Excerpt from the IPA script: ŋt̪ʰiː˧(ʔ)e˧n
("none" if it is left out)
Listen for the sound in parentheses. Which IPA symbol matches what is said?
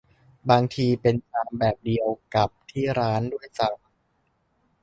p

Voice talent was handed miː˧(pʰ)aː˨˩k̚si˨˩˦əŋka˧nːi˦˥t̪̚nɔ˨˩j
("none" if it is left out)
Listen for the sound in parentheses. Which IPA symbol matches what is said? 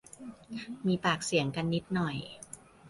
p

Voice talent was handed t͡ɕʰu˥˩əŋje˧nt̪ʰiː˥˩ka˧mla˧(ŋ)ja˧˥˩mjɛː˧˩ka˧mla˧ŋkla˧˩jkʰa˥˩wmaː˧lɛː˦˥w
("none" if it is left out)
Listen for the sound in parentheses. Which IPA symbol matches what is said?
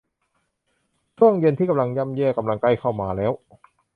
ŋ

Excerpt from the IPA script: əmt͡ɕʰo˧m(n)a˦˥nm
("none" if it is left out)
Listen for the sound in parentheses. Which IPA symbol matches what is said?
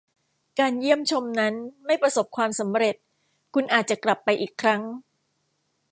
n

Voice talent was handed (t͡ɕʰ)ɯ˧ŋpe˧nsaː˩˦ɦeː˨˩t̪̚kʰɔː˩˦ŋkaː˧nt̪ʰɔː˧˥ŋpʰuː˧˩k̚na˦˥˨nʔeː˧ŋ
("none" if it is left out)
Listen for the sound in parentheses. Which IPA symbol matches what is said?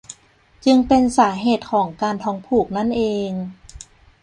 t͡ɕ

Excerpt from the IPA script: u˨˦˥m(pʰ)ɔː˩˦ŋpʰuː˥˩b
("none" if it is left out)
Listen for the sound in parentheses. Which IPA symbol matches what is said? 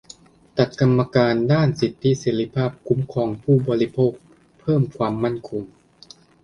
kʰ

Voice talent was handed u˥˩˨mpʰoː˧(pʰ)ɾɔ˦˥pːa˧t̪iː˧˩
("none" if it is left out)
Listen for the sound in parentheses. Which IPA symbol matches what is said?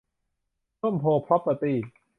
pʰ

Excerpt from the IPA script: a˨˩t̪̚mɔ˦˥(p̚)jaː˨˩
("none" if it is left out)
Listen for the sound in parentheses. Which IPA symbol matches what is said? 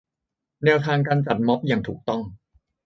p̚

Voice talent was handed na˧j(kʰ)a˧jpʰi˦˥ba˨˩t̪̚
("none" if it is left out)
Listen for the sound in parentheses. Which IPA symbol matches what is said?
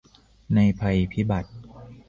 pʰ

